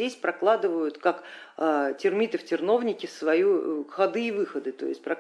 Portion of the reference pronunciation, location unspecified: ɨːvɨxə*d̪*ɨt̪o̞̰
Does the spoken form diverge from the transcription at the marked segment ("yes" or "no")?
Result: no